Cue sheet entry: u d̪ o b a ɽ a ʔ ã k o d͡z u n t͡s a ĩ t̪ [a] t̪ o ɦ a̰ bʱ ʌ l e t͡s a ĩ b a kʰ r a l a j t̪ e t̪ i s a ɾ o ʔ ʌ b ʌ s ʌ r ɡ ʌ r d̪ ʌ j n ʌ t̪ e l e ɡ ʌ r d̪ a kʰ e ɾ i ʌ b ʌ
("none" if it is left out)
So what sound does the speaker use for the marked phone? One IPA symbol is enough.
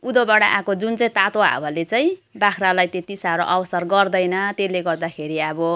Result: a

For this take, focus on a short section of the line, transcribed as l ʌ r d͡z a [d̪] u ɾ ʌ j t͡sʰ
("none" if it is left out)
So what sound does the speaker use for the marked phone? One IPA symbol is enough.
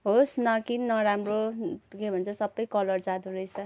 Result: d̪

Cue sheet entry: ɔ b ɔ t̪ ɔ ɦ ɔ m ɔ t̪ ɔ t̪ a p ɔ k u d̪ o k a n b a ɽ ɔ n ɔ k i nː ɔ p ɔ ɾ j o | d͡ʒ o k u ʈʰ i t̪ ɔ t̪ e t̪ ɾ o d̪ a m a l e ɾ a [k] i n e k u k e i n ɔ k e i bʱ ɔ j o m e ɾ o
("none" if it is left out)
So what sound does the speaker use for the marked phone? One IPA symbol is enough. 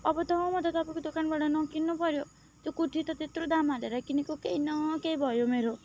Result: k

